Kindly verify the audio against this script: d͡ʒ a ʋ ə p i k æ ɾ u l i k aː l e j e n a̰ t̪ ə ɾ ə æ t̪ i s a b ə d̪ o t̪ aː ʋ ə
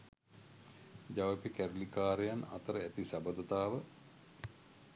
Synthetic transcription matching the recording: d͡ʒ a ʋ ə p i k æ ɾ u l i k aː ɾ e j a n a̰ t̪ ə ɾ ə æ t̪ i s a b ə d̪ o t̪ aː ʋ ə

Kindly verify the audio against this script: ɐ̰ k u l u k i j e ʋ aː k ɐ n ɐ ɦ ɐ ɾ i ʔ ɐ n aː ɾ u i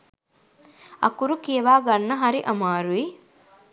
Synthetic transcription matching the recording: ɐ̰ k u ɾ u k i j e ʋ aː ɡ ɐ nː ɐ ɦ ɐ ɾ i ʔ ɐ m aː ɾ u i

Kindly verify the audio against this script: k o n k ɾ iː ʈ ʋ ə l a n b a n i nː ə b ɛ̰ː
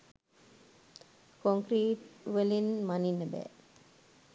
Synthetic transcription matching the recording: k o ŋ k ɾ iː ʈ ʋ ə l i n m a n i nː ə b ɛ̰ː

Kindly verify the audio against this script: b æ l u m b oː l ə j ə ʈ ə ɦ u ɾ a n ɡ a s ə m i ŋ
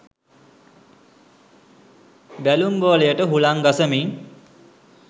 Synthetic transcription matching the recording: b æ l u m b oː l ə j ə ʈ ə ɦ u l a ŋ ɡ a s ə m i ŋ

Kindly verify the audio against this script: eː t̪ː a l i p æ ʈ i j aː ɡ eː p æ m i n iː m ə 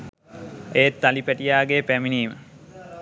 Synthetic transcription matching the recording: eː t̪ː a l i p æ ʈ i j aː ɡ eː p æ m i n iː m ə

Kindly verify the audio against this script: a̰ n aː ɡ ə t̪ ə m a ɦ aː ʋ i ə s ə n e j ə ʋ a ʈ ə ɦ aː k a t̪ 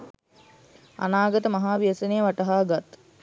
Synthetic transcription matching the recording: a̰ n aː ɡ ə t̪ ə m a ɦ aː ʋ i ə s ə n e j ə ʋ a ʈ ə ɦ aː ɡ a t̪

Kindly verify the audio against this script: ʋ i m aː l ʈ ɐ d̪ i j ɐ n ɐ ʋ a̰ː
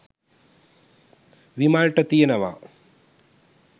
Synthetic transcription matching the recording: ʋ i m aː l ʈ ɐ t̪ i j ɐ n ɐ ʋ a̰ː

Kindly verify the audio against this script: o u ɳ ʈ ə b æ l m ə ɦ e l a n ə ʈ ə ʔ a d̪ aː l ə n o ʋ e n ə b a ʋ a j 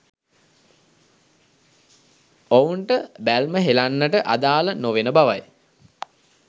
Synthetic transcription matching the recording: o u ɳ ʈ ə b æ l m ə ɦ e l a nː ə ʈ ə ʔ a d̪ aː l ə n o ʋ e n ə b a ʋ a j

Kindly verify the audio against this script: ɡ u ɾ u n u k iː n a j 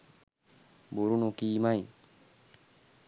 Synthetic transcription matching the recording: b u ɾ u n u k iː m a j

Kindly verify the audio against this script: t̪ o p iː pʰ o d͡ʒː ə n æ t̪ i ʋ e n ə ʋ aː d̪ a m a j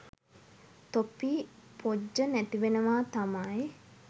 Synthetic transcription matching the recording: t̪ o p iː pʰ o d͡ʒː ə n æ t̪ i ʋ e n ə ʋ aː t̪ a m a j

